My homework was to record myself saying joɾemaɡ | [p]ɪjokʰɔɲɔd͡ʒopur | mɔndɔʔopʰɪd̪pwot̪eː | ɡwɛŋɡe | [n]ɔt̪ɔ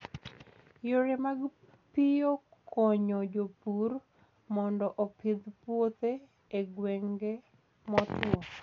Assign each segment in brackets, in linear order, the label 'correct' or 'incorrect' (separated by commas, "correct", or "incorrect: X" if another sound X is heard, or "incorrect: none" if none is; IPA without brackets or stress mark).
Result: correct, incorrect: m